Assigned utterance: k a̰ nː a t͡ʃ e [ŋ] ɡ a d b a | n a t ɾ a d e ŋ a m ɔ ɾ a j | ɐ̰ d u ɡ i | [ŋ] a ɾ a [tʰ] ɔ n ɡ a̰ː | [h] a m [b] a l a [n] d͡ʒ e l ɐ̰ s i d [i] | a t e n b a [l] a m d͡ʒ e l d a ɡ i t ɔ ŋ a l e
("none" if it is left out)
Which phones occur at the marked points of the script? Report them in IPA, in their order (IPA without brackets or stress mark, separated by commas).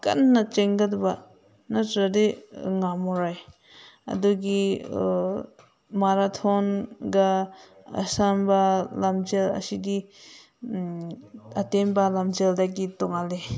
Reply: ŋ, m, tʰ, s, b, m, i, l